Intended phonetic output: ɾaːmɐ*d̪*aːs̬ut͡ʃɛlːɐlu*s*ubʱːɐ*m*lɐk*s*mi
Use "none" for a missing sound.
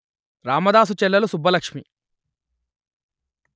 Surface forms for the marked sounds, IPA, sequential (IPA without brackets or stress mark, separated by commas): d̪, s, none, ʂ